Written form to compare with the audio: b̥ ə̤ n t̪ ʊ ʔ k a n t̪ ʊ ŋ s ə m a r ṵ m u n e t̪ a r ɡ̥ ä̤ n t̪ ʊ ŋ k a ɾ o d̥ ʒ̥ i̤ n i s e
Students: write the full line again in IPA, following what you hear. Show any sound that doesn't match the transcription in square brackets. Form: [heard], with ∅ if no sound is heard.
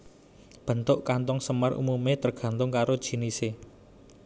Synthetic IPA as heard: b̥ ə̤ n t̪ ʊ ʔ k a n t̪ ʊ ŋ s ə m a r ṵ m u [m] e t̪ [ə] r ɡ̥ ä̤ n t̪ ʊ ŋ k a ɾ o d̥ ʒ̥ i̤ n i s e